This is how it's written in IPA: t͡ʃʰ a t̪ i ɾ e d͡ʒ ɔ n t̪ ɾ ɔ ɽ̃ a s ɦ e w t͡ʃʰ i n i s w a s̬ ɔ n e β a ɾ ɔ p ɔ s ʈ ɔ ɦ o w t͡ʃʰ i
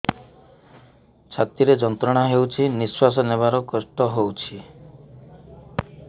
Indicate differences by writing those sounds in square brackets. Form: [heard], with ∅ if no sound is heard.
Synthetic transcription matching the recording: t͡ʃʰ a t̪ i ɾ e d͡ʒ ɔ n t̪ ɾ ɔ ɽ̃ a [∅] ɦ e w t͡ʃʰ i n i s w a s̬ ɔ n e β a ɾ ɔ [k] ɔ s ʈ ɔ ɦ o w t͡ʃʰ i